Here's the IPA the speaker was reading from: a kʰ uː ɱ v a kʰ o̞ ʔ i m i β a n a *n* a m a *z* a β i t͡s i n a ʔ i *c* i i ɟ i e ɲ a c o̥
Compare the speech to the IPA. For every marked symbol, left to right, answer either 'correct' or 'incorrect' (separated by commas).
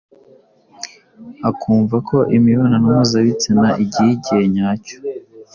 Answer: correct, correct, incorrect